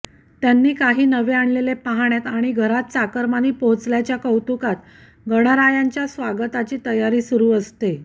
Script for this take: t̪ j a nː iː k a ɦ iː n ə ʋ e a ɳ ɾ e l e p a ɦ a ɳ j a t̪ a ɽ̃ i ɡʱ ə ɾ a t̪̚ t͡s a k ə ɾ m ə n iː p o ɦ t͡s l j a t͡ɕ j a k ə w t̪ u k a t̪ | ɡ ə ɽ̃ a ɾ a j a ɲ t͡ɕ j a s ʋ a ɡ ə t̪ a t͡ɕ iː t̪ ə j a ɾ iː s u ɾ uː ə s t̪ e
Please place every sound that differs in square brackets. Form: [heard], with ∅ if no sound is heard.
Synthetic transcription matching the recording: t̪ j a nː iː k a ɦ iː n ə ʋ e a ɳ [l] e l e p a ɦ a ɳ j a t̪ a ɽ̃ i ɡʱ ə ɾ a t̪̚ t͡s a k ə ɾ m [a] n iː p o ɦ t͡s l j a t͡ɕ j a k ə w t̪ u k a t̪ | ɡ ə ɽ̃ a ɾ a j a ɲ t͡ɕ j a s ʋ a ɡ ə t̪ a t͡ɕ iː t̪ ə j a ɾ iː s u ɾ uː ə s t̪ e